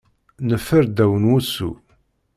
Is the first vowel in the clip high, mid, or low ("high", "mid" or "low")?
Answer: mid